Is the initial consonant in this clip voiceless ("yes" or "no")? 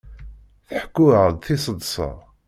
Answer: yes